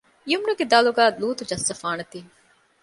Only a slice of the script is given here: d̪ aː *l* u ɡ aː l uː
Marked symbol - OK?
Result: yes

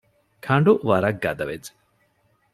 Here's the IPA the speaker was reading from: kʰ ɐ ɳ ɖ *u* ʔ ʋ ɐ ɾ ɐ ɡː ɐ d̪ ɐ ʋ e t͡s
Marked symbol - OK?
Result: yes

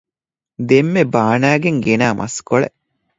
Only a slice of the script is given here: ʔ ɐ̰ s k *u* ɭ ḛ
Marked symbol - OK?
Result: no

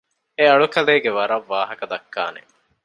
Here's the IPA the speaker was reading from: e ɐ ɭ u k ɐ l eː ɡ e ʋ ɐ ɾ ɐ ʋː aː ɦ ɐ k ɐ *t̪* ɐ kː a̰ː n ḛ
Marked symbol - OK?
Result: no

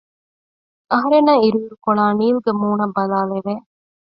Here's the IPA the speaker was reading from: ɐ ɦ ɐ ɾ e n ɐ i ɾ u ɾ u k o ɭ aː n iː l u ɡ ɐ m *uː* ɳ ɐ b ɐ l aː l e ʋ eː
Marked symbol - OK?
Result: yes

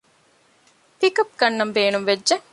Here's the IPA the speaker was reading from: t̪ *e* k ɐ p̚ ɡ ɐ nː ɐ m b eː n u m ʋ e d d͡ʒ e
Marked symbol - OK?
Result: no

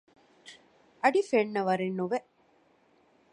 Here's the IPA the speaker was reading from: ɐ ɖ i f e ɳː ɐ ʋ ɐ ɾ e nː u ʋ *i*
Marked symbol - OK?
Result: no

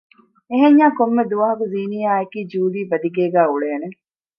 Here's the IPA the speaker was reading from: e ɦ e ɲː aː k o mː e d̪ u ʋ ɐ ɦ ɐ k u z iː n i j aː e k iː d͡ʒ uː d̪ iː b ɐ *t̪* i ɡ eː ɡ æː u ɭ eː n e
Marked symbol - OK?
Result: no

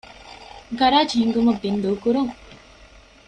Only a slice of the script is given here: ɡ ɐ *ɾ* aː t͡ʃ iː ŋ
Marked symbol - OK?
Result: yes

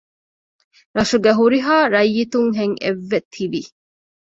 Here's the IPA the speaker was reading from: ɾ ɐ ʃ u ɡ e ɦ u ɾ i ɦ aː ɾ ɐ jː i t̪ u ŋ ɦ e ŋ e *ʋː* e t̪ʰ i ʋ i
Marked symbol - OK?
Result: yes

